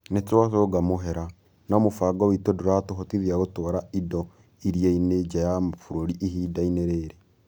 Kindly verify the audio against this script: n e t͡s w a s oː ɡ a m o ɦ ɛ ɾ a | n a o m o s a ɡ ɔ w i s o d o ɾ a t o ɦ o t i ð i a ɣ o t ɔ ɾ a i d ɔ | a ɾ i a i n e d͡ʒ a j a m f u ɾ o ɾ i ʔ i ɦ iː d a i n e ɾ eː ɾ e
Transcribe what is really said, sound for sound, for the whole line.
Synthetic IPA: n e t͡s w a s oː ɡ a m o ɦ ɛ ɾ a | n a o m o f a ɡ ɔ w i t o d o ɾ a t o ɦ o t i ð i a ɣ o t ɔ ɾ a i d ɔ | i ɾ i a i n e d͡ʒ a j a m f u ɾ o ɾ i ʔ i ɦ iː d a i n e ɾ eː ɾ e